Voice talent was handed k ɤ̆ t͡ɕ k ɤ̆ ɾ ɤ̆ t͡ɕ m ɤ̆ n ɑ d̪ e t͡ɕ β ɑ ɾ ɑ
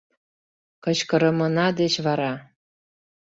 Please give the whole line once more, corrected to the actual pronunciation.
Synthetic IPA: k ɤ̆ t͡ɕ k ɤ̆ ɾ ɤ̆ m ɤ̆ n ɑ d̪ e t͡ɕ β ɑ ɾ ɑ